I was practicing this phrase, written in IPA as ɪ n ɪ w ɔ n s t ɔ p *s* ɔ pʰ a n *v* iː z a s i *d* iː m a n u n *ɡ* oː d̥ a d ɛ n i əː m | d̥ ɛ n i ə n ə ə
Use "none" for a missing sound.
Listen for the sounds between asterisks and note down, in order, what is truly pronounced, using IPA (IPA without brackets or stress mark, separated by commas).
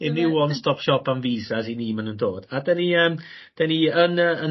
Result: ʃ, v, n, d